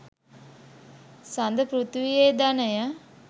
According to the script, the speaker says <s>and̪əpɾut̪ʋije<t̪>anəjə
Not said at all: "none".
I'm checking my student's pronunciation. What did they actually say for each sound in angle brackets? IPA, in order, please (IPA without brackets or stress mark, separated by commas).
s, d̪